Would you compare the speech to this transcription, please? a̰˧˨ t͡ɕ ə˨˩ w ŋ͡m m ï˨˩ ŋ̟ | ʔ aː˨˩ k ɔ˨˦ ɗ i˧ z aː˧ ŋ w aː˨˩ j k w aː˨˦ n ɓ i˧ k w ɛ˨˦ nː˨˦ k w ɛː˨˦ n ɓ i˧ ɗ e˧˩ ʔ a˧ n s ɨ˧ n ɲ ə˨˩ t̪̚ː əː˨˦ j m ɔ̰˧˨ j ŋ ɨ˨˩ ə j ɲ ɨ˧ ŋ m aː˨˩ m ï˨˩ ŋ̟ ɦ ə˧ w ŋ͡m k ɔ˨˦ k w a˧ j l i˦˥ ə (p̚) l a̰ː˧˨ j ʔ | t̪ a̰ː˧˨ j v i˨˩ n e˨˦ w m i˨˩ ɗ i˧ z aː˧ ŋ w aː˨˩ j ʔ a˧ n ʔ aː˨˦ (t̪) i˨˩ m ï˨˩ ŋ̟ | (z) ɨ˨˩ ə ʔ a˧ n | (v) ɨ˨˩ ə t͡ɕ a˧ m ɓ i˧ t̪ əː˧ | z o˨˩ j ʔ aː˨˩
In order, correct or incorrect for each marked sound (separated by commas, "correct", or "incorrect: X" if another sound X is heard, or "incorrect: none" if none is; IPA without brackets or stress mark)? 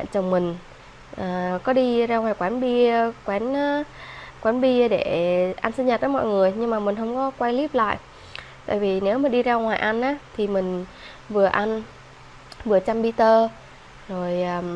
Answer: correct, incorrect: t̪ʰ, incorrect: v, correct